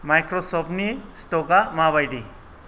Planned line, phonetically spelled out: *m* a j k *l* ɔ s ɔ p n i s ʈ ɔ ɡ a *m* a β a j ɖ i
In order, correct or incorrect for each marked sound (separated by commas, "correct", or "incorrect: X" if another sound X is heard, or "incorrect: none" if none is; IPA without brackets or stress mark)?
correct, incorrect: ɾ, correct